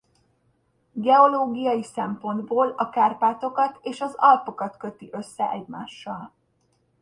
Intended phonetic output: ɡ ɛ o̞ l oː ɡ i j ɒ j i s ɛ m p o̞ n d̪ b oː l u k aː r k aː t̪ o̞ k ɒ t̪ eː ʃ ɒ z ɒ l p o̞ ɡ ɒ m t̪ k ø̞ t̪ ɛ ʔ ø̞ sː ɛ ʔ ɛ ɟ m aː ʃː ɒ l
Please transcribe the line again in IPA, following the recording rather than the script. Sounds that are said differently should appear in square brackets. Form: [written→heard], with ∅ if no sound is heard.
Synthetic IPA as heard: ɡ ɛ o̞ l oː ɡ i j ɒ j i s ɛ m p o̞ n d̪ b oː l [u→ɒ] k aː r [k→p] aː t̪ o̞ k ɒ t̪ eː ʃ ɒ z ɒ l p o̞ [ɡ→k] ɒ [m→∅] t̪ k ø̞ t̪ [ɛ→i] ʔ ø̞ sː ɛ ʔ ɛ ɟ m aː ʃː ɒ l